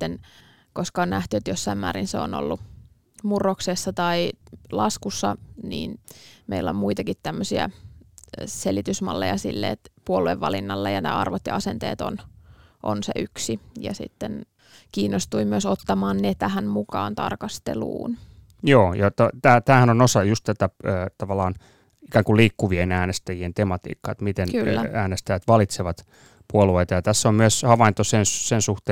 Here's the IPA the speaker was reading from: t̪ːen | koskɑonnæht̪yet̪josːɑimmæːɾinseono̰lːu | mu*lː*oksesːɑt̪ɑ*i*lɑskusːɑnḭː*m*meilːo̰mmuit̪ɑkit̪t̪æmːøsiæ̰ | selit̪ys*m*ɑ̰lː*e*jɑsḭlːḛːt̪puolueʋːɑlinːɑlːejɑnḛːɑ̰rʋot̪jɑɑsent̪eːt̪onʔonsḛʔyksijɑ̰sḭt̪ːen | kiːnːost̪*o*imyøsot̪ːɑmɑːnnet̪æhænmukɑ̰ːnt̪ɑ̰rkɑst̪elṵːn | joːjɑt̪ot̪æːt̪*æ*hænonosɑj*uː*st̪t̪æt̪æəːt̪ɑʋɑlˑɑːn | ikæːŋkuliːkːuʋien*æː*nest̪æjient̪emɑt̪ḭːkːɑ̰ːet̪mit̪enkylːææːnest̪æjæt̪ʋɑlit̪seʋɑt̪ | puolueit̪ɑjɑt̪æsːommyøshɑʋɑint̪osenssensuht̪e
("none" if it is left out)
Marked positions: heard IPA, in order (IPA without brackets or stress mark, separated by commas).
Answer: rː, i, n, m, e, u, æː, u, æː